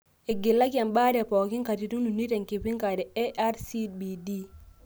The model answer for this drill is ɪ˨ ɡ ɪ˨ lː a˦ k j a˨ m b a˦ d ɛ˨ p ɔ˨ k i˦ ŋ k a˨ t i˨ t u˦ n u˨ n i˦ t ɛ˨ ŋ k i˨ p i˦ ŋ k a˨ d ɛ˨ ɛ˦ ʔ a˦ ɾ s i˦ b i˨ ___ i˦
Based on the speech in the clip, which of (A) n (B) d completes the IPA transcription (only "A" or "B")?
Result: B